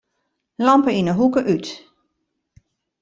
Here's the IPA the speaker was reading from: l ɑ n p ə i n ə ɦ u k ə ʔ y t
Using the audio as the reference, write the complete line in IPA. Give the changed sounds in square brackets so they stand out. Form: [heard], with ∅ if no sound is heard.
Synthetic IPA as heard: l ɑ [m] p ə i n ə ɦ u k ə ʔ y t

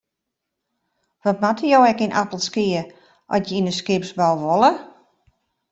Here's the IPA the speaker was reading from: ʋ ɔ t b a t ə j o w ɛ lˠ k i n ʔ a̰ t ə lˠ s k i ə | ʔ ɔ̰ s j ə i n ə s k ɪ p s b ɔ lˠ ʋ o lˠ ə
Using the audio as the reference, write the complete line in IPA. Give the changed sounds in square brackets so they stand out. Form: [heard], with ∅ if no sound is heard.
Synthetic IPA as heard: ʋ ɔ t [m] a t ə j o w ɛ [∅] k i n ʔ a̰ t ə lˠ s k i ə | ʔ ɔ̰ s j ə i n ə s k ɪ p s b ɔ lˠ ʋ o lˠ ə

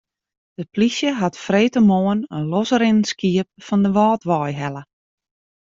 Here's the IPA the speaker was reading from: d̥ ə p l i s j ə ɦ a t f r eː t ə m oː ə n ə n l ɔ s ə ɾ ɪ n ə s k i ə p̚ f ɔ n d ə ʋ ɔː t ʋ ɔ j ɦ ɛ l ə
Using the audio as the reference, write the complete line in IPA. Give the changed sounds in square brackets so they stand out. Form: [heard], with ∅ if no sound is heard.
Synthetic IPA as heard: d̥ ə p l i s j ə ɦ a t f r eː t ə m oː ə n ə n l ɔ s ə ɾ ɪ n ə s k i ə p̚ f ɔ n d ə ʋ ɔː t ʋ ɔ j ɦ ɛ l ə

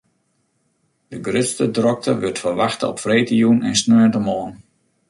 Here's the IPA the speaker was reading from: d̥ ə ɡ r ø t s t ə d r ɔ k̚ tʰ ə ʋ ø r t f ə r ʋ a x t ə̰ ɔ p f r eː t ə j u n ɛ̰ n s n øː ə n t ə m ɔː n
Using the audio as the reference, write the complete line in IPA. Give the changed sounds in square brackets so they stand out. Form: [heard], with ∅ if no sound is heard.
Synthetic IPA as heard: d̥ ə ɡ r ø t s t ə d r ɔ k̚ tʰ ə ʋ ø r t f ə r ʋ a x t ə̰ ɔ p f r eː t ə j u n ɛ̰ n s n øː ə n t ə m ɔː n

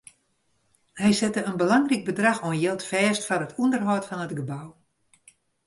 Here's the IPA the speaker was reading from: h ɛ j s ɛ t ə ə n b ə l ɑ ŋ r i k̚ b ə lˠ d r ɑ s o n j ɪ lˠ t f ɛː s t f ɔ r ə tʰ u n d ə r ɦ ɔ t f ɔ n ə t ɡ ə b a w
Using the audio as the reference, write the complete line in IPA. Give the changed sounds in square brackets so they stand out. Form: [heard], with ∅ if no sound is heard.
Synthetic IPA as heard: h ɛ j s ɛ t ə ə n b ə l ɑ ŋ r i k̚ b ə [∅] d r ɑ [x] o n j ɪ lˠ t f ɛː s t f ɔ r ə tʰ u n d ə r ɦ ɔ t f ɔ n ə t ɡ ə b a w

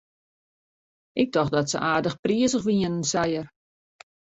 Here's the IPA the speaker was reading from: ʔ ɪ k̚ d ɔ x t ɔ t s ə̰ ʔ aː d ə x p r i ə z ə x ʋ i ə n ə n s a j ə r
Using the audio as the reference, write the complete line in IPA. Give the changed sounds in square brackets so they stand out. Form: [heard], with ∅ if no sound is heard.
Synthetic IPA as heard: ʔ ɪ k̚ d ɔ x [d] ɔ t s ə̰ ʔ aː d ə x p r i ə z ə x ʋ i ə n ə n s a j ə r

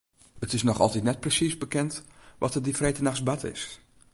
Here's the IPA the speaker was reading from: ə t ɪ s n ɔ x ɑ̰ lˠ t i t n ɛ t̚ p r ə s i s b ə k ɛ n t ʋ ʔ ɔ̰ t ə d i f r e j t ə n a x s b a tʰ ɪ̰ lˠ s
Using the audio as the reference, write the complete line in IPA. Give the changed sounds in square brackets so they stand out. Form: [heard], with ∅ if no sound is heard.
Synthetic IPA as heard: ə t ɪ s n ɔ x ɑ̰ lˠ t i t n ɛ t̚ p r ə s i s b ə k ɛ n t ʋ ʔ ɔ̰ t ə d i f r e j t ə n a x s b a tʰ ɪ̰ [∅] s

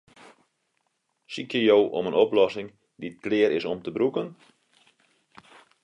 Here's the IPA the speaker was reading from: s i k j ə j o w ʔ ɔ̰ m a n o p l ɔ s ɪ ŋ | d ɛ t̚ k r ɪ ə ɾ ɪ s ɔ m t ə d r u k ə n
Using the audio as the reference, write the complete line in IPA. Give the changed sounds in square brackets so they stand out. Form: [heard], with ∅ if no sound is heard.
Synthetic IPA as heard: s i k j ə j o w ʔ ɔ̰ m [ə] n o p l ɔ s ɪ ŋ | d [i] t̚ k [l] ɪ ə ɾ ɪ s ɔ m t ə [b] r u k ə n

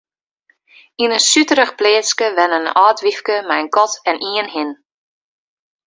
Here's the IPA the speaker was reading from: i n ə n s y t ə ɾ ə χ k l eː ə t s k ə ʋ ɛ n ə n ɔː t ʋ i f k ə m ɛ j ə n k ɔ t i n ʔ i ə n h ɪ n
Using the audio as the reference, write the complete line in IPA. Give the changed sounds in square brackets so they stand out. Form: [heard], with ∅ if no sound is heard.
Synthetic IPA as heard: i n ə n s y t ə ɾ ə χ [p] l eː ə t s k ə ʋ ɛ n ə n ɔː t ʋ i f k ə m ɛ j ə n k ɔ t [ɛ] n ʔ i ə n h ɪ n

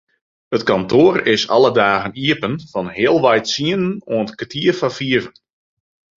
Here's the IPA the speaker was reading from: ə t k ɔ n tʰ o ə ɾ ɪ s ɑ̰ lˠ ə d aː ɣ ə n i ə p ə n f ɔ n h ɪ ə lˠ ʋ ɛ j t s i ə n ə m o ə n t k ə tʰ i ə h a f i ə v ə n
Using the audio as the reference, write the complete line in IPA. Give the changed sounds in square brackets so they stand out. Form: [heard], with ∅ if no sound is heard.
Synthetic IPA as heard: ə t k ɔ n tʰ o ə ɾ ɪ s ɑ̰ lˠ ə d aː ɣ ə n i ə p ə n f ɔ n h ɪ ə lˠ ʋ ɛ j t s i ə n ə [n] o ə n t k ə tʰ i ə [f] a f i ə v ə n

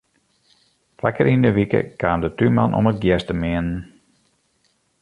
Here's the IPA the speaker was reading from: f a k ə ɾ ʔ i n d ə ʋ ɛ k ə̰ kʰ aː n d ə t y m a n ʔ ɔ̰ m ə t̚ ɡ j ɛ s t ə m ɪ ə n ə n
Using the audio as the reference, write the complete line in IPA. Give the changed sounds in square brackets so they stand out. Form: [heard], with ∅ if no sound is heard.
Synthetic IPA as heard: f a k ə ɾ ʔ i n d ə ʋ [i] k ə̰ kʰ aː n d ə t y m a n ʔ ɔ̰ m ə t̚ ɡ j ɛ s t ə m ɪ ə n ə n

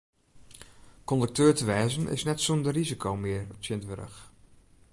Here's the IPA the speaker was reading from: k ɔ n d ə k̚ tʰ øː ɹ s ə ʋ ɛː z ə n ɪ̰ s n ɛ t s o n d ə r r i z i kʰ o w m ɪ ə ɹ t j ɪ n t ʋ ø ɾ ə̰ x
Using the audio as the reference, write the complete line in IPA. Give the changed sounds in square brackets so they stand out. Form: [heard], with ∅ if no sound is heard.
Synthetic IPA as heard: k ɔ n d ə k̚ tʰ øː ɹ [t] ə ʋ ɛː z ə n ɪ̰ s n ɛ t s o n d ə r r i z i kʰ o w m ɪ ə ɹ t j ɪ n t ʋ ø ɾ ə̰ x

